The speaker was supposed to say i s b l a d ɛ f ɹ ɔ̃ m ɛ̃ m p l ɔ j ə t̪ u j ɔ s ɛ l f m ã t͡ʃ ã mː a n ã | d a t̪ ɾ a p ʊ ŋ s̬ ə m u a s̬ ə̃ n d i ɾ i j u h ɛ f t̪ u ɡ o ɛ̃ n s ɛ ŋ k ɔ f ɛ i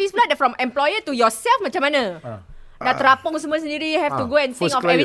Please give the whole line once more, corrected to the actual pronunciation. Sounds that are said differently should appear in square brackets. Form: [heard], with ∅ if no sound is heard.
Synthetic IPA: i s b l a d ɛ f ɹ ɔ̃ m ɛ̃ m p l ɔ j ə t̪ u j ɔ s ɛ l f m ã t͡ʃ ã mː a n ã | d a t̪ ɾ a p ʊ ŋ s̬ ə m u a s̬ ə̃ n d i ɾ i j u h ɛ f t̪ u ɡ o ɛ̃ n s [i] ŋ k ɔ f ɛ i